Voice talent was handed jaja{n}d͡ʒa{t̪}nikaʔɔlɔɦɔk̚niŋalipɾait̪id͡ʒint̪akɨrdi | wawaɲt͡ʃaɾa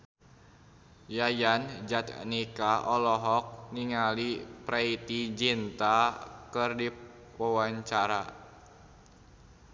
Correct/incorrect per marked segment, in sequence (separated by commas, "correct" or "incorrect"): correct, correct